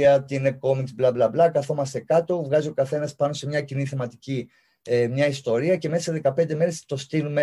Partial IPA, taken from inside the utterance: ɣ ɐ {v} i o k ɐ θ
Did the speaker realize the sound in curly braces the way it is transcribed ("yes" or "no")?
no